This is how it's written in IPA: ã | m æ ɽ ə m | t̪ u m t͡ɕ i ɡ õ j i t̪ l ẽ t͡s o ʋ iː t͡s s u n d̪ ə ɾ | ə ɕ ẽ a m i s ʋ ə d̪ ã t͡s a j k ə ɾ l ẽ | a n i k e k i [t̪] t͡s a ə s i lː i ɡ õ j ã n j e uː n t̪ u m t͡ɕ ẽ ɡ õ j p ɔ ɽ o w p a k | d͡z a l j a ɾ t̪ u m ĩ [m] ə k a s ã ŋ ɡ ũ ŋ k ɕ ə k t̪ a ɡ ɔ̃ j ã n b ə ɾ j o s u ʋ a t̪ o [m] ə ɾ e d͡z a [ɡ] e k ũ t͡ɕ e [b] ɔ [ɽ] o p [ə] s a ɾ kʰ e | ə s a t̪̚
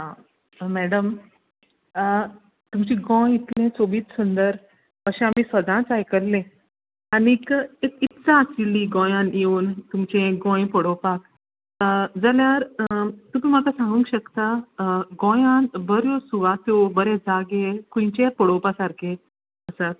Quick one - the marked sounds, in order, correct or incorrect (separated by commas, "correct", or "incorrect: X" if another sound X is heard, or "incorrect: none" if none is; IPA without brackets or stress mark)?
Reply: correct, correct, incorrect: b, correct, incorrect: p, correct, incorrect: a